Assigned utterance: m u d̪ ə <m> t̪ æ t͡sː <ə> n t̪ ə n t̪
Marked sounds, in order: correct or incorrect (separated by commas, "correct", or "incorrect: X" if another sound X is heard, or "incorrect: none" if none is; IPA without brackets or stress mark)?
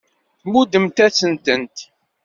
correct, correct